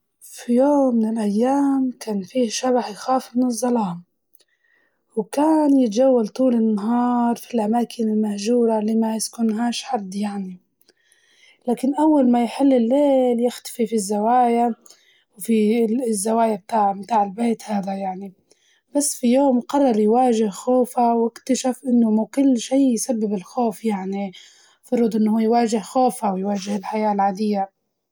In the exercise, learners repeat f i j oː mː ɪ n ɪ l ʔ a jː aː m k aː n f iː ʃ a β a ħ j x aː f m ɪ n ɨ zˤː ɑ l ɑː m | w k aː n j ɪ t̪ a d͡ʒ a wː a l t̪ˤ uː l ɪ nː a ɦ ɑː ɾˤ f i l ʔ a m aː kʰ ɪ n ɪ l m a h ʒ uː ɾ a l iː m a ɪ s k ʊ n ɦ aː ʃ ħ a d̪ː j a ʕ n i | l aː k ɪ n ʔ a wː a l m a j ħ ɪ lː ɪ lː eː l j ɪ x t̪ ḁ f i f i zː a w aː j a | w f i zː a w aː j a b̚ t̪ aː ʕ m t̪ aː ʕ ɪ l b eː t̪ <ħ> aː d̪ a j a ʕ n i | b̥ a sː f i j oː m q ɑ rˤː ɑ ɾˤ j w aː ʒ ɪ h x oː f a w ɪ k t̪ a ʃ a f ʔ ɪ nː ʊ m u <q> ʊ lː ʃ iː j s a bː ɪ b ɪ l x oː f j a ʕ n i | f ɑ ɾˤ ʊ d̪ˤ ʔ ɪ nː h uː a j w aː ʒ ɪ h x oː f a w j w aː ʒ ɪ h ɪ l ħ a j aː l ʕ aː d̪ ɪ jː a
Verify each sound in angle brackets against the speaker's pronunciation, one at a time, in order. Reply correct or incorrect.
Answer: incorrect: h, incorrect: k

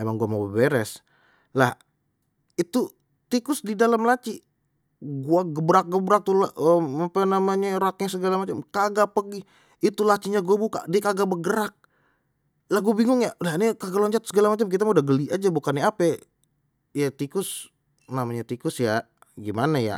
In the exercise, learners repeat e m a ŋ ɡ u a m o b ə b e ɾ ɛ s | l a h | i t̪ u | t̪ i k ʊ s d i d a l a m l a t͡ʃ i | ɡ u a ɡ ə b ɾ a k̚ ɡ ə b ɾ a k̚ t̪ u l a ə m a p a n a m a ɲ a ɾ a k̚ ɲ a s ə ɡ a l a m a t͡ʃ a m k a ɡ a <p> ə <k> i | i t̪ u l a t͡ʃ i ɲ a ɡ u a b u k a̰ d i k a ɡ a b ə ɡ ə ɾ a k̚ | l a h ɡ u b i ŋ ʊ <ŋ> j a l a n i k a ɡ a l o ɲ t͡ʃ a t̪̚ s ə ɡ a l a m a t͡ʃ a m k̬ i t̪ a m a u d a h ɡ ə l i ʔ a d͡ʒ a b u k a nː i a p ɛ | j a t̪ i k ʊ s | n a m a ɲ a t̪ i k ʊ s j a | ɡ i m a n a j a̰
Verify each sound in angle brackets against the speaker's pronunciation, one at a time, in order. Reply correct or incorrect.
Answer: correct, incorrect: ɡ, correct

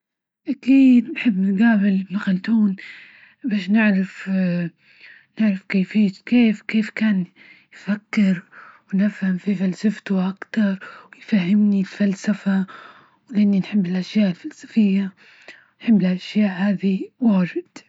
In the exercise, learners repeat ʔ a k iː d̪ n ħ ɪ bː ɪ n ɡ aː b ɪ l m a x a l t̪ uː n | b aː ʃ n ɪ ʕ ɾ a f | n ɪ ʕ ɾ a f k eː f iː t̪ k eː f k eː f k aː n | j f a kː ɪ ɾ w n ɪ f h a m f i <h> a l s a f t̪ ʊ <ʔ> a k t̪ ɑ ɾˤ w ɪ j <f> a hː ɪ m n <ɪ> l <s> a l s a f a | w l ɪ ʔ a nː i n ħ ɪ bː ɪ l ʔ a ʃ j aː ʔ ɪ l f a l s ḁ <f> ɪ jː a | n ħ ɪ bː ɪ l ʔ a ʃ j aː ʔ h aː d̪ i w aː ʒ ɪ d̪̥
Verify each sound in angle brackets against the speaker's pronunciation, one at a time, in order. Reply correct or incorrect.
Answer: incorrect: f, correct, correct, incorrect: i, incorrect: f, correct

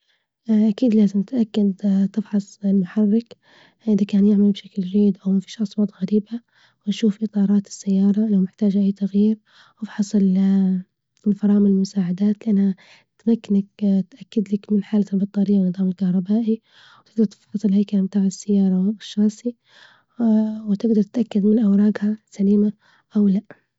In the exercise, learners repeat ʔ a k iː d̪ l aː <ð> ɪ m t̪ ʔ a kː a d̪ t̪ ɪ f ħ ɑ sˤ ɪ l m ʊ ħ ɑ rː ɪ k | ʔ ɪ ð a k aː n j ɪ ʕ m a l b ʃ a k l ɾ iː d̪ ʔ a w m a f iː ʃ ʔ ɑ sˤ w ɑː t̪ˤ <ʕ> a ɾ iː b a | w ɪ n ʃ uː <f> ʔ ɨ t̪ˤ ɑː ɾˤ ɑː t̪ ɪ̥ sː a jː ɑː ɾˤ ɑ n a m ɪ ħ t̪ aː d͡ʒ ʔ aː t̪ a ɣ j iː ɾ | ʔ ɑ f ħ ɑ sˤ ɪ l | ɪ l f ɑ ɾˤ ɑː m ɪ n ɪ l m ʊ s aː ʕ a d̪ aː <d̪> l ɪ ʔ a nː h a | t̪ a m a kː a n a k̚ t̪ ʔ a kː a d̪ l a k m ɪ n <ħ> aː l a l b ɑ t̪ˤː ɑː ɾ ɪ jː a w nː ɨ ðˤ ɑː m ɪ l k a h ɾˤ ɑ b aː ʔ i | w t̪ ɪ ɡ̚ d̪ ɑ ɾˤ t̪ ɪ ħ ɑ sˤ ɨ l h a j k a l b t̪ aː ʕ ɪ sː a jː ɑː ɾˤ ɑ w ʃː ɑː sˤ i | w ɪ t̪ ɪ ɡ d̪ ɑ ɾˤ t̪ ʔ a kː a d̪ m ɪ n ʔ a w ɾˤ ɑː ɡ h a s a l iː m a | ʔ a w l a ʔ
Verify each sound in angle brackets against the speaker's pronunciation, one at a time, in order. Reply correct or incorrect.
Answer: incorrect: z, incorrect: ɣ, correct, incorrect: t̪, correct

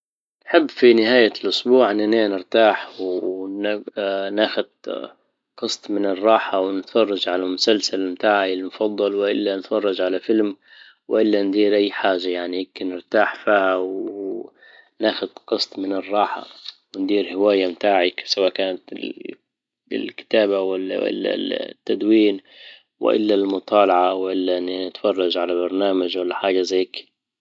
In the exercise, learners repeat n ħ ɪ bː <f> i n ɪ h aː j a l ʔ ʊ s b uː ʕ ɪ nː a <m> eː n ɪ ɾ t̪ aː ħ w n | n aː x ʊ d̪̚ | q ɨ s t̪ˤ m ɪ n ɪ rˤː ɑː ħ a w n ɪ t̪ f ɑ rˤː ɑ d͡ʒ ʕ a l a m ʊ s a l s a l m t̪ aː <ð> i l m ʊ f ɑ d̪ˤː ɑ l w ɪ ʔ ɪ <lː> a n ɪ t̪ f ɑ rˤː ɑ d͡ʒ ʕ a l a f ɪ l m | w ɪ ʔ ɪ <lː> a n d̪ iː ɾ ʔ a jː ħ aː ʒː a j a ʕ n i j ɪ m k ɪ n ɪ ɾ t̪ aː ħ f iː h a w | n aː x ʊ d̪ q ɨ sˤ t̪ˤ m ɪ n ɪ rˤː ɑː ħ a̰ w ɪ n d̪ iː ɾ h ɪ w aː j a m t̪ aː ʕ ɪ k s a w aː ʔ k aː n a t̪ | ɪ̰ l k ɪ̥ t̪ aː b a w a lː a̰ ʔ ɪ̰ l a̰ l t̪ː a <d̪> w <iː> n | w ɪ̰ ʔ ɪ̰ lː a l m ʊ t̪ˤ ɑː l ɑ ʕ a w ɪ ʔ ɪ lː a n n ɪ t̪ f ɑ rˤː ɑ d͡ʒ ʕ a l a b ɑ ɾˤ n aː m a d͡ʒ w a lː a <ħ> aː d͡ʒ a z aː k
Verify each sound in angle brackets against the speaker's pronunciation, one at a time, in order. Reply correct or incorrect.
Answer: correct, incorrect: n, incorrect: ʕ, correct, correct, correct, correct, correct

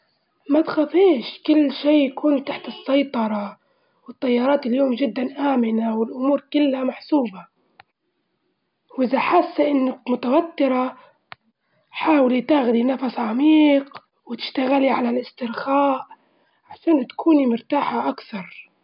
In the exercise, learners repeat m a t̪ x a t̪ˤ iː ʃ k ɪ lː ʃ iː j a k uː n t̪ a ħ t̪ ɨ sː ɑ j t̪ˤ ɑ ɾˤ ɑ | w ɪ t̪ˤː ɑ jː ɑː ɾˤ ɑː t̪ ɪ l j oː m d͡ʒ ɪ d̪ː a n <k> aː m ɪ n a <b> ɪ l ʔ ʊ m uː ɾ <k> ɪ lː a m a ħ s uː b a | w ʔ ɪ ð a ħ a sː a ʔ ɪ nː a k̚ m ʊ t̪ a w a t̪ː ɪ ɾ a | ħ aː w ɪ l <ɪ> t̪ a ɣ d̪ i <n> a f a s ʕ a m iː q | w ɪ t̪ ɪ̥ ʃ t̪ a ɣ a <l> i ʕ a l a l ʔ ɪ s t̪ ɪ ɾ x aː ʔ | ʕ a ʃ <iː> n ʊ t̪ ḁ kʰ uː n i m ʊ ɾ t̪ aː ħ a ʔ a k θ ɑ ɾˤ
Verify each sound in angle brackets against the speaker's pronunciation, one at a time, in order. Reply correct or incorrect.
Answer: incorrect: ʔ, incorrect: w, correct, incorrect: i, correct, correct, incorrect: aː

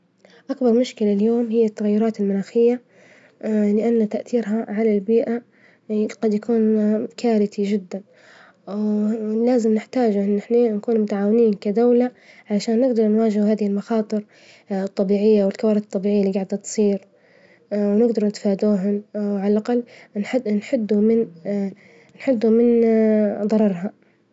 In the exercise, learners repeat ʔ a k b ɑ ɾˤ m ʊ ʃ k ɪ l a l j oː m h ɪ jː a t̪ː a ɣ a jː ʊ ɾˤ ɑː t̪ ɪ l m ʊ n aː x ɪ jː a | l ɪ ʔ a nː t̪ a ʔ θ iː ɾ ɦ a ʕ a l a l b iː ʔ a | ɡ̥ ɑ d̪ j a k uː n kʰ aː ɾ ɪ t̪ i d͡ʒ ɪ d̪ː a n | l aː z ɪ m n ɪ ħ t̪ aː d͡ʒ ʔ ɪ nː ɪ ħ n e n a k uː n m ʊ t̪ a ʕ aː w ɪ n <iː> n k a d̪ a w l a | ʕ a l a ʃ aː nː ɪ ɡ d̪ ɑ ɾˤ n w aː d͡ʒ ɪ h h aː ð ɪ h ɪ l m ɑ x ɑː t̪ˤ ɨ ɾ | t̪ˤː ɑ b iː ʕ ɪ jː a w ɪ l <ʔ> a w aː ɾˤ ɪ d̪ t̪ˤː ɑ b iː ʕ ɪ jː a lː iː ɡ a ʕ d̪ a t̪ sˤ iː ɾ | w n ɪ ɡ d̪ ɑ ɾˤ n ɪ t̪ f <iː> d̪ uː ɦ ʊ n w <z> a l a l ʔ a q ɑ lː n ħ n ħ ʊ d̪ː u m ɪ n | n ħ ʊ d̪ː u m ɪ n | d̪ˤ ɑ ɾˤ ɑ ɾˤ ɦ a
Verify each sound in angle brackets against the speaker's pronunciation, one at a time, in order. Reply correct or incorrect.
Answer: correct, incorrect: k, incorrect: aː, incorrect: ʕ

